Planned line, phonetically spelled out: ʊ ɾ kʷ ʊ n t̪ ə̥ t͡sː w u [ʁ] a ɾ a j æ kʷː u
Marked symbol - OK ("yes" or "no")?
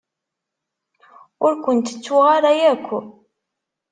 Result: yes